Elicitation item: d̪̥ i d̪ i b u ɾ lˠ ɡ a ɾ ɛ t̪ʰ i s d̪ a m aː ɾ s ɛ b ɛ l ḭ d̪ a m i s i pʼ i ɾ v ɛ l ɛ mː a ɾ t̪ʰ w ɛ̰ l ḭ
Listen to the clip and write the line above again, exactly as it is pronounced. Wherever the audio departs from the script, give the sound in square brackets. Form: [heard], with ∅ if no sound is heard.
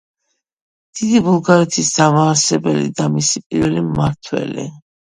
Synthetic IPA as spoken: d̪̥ i d̪ i b u [∅] lˠ ɡ a ɾ ɛ t̪ʰ i s d̪ a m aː ɾ s ɛ b ɛ l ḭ d̪ a m i s i pʼ i ɾ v ɛ l [i] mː a ɾ t̪ʰ w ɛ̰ l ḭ